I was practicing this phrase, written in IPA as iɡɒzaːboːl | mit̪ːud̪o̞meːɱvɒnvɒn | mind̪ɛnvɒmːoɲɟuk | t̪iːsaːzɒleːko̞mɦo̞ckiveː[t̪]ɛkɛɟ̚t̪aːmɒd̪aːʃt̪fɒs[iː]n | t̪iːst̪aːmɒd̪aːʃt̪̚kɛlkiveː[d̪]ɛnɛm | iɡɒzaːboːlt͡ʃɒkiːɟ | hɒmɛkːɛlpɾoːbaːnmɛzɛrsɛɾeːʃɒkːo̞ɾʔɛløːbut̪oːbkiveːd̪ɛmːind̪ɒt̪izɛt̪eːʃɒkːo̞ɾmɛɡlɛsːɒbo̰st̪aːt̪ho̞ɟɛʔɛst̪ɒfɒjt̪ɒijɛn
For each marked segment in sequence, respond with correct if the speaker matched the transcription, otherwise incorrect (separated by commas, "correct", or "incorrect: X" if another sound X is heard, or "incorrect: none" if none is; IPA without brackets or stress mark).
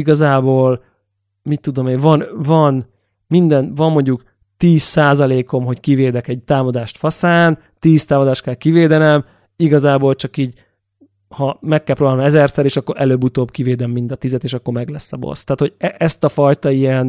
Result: incorrect: d̪, incorrect: aː, correct